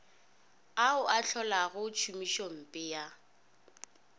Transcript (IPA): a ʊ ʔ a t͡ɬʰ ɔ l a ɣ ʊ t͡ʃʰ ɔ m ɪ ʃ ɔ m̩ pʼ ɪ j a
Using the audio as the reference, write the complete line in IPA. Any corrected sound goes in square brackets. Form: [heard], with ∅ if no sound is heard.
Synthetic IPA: a ʊ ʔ a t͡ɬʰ ɔ l a ɣ ʊ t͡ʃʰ [u] m [i] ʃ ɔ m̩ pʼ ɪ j a